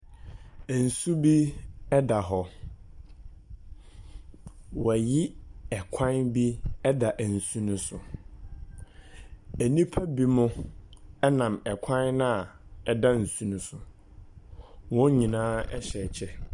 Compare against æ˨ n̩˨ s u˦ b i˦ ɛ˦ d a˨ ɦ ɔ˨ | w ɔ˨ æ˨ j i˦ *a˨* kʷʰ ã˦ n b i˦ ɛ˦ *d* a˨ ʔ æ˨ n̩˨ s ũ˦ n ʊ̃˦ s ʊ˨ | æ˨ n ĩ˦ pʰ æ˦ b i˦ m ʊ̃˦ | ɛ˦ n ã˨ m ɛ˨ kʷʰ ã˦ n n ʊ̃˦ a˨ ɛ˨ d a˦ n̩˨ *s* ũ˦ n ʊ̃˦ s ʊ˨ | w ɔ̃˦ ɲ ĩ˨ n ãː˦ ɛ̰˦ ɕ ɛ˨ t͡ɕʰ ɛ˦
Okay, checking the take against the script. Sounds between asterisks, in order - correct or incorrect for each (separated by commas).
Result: incorrect, correct, correct